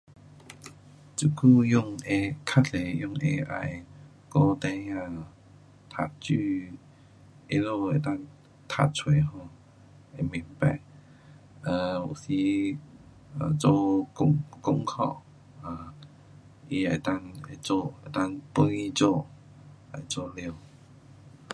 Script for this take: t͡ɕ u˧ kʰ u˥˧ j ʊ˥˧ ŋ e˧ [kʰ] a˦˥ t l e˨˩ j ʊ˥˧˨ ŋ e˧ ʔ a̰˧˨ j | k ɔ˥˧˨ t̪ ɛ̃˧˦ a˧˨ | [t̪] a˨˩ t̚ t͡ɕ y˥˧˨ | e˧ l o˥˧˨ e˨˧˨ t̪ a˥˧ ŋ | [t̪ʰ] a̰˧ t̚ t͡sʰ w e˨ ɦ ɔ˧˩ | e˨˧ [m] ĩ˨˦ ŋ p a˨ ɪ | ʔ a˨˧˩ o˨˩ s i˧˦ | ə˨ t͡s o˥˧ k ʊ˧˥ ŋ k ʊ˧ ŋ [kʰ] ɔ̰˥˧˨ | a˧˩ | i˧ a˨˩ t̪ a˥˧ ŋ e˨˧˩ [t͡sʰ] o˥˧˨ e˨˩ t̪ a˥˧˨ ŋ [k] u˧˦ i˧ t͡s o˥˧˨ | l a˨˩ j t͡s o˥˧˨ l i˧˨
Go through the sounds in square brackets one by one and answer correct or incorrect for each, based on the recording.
correct, incorrect, correct, correct, correct, incorrect, incorrect

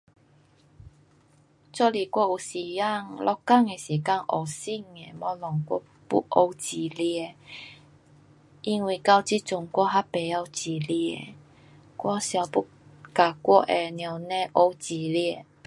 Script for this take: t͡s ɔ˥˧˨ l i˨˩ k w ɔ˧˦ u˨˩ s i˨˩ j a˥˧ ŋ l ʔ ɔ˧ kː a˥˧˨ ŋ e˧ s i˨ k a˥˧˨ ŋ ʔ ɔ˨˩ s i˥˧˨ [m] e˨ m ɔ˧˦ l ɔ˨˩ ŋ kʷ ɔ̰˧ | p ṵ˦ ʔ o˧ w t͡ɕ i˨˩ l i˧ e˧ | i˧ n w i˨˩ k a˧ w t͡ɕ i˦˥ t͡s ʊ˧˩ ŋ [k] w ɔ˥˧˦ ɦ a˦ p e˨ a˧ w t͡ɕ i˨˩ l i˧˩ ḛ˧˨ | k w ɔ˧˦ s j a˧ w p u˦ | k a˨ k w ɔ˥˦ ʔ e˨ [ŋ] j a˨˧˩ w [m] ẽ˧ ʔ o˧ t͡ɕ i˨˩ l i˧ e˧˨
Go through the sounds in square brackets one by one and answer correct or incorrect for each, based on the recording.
incorrect, correct, incorrect, incorrect

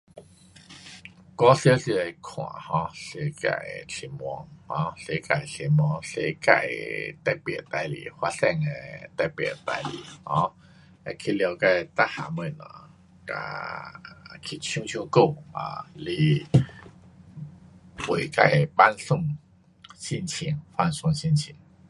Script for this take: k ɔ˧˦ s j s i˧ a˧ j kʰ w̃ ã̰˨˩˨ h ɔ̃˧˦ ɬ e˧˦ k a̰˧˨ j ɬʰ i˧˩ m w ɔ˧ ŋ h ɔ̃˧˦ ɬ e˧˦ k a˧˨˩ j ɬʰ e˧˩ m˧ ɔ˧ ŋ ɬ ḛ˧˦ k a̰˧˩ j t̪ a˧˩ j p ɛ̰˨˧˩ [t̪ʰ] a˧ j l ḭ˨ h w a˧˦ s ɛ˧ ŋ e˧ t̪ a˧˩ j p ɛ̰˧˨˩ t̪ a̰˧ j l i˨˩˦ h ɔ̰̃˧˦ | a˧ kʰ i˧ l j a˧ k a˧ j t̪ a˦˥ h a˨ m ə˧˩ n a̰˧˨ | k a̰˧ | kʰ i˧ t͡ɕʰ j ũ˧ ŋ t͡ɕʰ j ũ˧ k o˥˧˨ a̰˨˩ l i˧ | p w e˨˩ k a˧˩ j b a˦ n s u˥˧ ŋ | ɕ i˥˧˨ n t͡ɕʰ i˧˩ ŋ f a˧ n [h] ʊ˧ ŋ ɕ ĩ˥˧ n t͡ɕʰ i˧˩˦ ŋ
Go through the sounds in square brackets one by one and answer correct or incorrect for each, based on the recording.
incorrect, incorrect

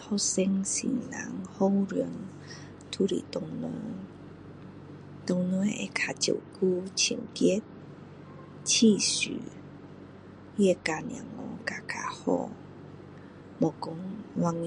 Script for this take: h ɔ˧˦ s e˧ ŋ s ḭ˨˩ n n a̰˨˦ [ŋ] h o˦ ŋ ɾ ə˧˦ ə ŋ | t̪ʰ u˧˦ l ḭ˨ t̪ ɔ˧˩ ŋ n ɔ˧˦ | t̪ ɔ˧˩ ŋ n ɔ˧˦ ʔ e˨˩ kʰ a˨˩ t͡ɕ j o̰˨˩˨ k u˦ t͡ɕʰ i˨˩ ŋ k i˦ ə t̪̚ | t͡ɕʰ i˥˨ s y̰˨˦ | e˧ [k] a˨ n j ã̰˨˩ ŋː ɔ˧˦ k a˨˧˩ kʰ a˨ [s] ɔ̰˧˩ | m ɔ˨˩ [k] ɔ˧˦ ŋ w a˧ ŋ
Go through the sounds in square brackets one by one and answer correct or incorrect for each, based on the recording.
correct, correct, incorrect, correct

